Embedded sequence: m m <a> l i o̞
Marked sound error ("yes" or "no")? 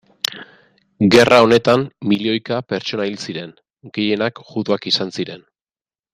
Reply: yes